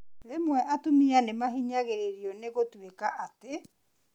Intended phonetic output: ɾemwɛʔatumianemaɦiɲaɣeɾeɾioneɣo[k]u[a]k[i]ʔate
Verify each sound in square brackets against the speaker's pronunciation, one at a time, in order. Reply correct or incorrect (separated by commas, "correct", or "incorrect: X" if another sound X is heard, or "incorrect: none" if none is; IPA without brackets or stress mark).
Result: incorrect: t, incorrect: e, incorrect: a